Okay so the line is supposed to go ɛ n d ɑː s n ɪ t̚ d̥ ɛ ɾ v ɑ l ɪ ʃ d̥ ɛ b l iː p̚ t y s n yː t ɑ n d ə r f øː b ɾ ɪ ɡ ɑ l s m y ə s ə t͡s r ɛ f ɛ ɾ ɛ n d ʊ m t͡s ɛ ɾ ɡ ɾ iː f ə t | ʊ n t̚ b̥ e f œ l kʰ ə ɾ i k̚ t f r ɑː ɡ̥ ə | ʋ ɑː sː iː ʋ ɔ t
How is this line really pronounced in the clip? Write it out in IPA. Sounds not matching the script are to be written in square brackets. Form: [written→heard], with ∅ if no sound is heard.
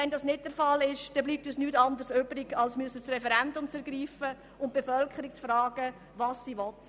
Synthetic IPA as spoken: ɛ n d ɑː s n ɪ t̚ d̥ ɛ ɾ [v→f] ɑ l ɪ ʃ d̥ ɛ b l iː p̚ t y s n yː t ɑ n d ə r [f→s] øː b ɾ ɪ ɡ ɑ l s m y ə s ə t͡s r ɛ f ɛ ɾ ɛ n d ʊ m t͡s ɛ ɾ ɡ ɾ iː f ə [t→∅] | ʊ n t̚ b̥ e f œ l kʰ ə ɾ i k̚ [t→t͡s] f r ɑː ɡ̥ ə | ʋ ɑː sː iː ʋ ɔ t